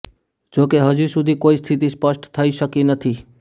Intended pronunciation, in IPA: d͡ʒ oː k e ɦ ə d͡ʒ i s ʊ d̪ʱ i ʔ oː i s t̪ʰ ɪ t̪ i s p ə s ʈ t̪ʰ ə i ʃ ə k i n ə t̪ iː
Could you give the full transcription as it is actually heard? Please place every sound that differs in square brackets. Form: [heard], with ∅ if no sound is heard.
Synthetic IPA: d͡ʒ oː k e ɦ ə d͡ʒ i s ʊ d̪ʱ i [k] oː i s t̪ʰ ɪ t̪ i s p ə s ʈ t̪ʰ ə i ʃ ə k i n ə [t̪ʰ] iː